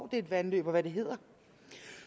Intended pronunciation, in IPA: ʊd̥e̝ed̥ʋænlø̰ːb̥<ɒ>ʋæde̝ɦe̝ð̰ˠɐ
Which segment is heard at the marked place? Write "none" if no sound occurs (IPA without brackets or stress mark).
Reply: ɒ